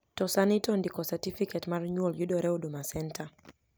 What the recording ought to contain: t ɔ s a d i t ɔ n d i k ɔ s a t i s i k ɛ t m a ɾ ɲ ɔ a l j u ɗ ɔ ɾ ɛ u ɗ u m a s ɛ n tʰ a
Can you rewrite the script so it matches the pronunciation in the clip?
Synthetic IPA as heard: t ɔ s a n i t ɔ n d i k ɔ s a t i f i k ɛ t m a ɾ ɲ u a l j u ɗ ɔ ɾ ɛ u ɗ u m a s ɛ n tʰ a